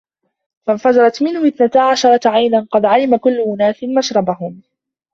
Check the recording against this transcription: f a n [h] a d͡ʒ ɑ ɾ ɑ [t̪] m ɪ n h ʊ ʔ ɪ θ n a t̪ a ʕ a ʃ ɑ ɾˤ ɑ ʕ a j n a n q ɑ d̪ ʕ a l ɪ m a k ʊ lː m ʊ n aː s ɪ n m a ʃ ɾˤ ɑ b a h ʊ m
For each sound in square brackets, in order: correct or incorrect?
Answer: incorrect: f, correct

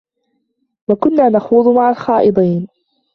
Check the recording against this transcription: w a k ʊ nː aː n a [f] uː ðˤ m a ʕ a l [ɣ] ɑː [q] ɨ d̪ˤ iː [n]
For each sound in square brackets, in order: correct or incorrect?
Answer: incorrect: x, incorrect: x, incorrect: ʔ, correct

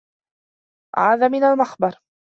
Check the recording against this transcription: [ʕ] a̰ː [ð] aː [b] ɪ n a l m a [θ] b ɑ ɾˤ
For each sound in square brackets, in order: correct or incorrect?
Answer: correct, correct, incorrect: m, incorrect: x

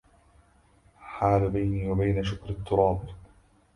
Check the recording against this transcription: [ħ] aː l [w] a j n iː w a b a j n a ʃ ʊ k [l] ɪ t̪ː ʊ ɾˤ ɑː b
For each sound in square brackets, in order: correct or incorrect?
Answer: correct, incorrect: b, incorrect: ɾ

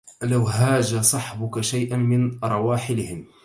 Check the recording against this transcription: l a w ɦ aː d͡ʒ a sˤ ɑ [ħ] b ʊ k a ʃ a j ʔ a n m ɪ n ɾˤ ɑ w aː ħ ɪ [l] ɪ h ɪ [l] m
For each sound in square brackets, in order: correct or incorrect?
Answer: correct, correct, incorrect: none

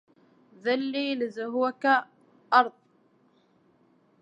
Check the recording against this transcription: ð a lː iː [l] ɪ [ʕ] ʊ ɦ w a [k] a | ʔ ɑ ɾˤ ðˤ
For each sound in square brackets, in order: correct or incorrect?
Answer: correct, incorrect: z, correct

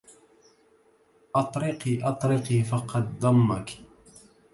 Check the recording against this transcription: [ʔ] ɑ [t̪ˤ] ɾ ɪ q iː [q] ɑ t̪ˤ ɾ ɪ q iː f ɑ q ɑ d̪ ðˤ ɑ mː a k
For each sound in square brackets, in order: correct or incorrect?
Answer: correct, correct, incorrect: ʔ

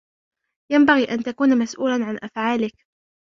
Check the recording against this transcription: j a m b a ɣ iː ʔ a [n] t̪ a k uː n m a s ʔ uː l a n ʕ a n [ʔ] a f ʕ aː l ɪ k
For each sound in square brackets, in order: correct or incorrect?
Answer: correct, correct

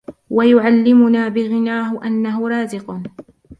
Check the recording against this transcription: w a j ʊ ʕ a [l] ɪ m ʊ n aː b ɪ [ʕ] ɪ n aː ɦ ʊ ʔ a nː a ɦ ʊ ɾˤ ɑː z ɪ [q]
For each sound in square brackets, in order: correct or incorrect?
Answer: incorrect: lː, incorrect: ɣ, correct

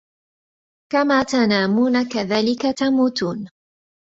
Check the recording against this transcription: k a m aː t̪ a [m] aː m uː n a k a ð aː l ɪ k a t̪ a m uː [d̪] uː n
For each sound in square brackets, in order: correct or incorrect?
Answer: incorrect: n, incorrect: t̪

